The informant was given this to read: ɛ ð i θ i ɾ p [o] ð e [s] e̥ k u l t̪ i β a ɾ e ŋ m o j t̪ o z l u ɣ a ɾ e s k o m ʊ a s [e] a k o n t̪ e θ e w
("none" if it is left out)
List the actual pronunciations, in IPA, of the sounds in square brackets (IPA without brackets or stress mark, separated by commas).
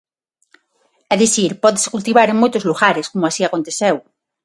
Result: ɔ, s, i